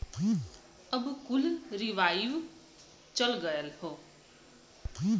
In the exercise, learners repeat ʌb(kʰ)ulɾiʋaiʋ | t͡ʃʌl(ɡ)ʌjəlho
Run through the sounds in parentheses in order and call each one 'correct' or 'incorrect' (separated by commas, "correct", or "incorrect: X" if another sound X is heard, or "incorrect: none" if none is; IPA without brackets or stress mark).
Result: incorrect: k, correct